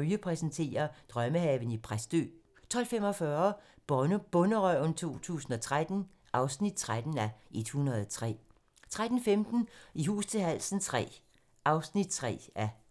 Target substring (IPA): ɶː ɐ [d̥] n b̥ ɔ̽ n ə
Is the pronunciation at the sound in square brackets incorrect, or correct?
incorrect